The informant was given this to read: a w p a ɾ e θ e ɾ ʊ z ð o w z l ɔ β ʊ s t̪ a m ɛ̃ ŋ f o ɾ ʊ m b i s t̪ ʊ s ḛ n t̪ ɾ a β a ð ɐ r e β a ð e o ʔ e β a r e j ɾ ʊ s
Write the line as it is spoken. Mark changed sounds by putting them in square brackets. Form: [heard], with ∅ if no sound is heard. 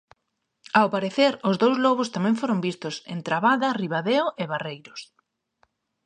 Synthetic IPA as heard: a w p a ɾ e θ e ɾ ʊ z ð o w z l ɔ β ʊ s t̪ a m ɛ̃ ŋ f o ɾ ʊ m b i s t̪ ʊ s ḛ n t̪ ɾ a β a ð ɐ r [i] β a ð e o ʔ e β a r e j ɾ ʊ s